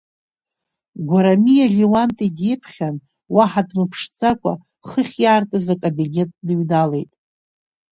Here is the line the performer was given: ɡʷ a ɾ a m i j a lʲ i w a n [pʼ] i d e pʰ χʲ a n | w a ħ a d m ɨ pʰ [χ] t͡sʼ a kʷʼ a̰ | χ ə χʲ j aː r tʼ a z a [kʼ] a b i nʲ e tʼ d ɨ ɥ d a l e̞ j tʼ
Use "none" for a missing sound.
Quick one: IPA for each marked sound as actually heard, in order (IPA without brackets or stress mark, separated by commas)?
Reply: tʼ, ʂ, kʼ